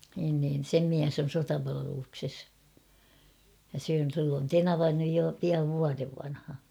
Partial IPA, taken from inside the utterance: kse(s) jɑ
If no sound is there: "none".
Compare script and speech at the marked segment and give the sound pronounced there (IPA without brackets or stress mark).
s